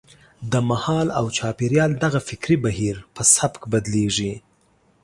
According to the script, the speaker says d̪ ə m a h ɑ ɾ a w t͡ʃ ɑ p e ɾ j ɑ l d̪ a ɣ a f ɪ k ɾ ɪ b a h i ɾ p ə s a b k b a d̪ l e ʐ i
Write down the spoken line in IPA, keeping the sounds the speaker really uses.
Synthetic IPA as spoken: d̪ ə m a h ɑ l a w t͡ʃ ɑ p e ɾ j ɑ l d̪ a ɣ a f ɪ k ɾ i b a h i ɾ p ə s a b k b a d̪ l e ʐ i